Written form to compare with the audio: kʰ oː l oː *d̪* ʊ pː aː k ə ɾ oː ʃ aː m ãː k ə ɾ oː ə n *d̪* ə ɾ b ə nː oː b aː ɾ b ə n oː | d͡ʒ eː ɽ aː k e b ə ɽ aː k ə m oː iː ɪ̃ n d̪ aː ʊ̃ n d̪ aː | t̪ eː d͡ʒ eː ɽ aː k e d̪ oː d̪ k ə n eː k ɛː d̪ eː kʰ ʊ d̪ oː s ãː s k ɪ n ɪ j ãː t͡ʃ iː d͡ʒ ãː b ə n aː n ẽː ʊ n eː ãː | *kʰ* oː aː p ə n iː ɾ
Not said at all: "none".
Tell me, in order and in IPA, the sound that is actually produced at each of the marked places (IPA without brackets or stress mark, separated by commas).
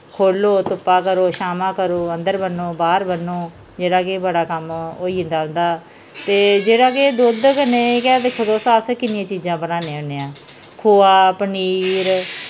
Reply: t̪, d̪, kʰ